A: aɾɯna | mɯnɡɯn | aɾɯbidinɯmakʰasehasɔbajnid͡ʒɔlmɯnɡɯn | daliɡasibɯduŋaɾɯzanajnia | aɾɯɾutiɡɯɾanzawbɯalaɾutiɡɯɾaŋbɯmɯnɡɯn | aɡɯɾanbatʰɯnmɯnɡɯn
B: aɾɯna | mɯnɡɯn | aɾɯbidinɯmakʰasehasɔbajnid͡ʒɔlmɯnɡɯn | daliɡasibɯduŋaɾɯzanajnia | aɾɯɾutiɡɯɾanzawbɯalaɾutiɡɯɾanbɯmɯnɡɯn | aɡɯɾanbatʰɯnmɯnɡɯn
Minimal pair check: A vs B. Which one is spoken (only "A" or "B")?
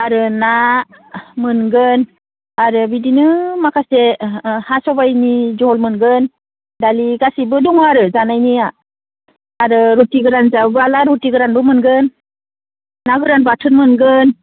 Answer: B